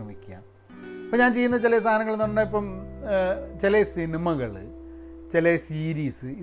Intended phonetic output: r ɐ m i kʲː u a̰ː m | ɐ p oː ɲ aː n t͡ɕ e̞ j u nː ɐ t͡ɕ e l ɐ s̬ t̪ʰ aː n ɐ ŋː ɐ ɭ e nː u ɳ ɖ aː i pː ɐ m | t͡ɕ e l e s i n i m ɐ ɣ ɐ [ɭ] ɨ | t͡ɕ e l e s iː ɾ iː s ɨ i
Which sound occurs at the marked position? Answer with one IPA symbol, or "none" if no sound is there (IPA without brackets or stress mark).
ɭ